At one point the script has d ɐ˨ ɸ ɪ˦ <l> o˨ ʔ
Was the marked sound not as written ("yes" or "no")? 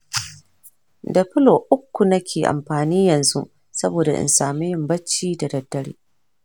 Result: no